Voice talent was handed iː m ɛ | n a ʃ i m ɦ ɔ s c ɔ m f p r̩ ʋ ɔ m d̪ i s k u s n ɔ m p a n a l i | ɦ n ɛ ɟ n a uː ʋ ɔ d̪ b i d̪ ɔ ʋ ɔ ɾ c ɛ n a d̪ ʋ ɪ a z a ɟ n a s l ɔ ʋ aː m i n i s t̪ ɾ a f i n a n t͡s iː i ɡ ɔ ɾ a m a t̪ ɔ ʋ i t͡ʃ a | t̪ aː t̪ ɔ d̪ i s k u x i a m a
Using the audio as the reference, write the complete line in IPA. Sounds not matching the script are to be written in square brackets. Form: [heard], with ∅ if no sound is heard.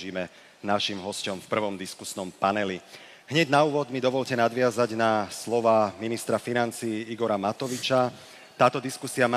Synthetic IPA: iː m ɛ | n a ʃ i m ɦ ɔ s c ɔ m f p r̩ ʋ ɔ m d̪ i s k u s n ɔ m p a n [ɛ] l i | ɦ [ɲ] ɛ ɟ n a uː ʋ ɔ d̪ [m] i d̪ ɔ ʋ ɔ [ʎ] c ɛ n a d̪ ʋ ɪ a z a ɟ n a s l ɔ ʋ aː m i n i s t̪ ɾ a f i n a n t͡s iː i ɡ ɔ ɾ a m a t̪ ɔ ʋ i t͡ʃ a | t̪ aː t̪ ɔ d̪ i s k u [s] i a m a